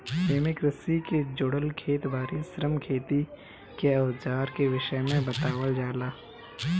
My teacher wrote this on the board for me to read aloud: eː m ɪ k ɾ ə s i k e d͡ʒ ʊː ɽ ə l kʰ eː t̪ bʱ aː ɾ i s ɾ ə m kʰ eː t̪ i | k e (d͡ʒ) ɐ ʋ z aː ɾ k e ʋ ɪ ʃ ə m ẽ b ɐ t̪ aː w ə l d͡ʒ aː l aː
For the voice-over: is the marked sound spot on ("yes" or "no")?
no